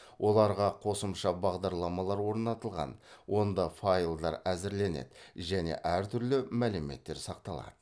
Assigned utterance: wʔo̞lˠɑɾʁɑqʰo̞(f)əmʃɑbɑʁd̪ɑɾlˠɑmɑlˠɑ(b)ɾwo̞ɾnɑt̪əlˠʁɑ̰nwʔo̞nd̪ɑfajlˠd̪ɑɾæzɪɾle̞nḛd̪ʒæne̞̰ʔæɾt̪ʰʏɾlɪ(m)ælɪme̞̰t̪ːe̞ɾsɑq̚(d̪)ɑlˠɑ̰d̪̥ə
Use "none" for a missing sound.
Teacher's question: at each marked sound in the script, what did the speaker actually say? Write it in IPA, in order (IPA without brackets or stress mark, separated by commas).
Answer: s, none, m, t̪